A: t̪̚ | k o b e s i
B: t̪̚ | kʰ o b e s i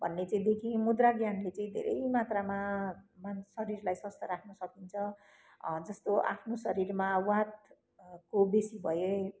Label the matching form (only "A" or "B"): A